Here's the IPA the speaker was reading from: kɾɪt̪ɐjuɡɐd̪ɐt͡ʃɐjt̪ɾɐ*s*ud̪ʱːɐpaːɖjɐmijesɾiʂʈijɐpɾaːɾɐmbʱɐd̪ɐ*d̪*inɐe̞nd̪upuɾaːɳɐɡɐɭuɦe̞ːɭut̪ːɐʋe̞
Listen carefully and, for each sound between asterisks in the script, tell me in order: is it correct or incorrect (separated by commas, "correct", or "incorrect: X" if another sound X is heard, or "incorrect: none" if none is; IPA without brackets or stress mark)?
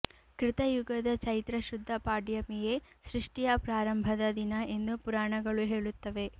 incorrect: ʃ, correct